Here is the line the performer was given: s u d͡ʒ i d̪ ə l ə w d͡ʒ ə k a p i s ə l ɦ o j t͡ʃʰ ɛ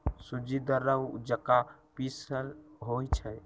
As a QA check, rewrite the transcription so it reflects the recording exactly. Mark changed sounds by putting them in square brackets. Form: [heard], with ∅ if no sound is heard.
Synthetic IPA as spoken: s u d͡ʒ i d̪ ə [ɾ] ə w d͡ʒ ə k a p i s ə l ɦ o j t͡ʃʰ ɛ